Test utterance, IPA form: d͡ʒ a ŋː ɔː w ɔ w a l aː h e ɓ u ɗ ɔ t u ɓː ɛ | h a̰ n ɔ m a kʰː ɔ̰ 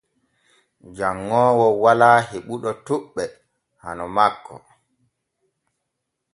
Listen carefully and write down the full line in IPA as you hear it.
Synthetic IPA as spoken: d͡ʒ a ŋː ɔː w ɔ w a l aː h e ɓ u ɗ ɔ t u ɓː ɛ | h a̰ n ɔ m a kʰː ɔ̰